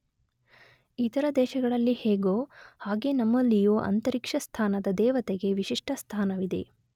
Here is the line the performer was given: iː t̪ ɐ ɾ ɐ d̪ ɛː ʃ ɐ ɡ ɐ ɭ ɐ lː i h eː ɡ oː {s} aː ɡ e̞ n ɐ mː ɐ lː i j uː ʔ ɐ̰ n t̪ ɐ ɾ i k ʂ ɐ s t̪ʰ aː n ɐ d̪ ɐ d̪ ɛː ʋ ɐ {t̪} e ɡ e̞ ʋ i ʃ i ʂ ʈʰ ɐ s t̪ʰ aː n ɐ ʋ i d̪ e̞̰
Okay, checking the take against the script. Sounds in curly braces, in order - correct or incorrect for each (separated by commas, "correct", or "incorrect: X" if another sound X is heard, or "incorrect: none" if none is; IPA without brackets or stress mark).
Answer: incorrect: h, correct